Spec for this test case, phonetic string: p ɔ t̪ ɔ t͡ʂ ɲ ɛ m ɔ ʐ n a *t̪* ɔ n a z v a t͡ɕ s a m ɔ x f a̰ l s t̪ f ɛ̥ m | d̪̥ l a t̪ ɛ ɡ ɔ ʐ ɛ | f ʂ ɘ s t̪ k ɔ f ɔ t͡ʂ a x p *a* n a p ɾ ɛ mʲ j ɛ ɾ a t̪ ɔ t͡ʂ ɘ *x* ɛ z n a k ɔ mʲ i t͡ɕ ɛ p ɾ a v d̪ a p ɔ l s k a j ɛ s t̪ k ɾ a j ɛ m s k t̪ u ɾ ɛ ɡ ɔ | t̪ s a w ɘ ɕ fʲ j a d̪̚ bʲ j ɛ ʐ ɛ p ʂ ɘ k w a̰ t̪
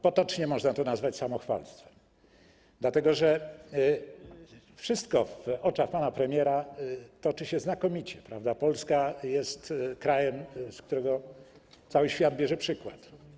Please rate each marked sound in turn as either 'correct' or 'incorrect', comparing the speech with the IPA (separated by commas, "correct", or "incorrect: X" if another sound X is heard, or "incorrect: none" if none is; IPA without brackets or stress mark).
correct, correct, incorrect: ɕ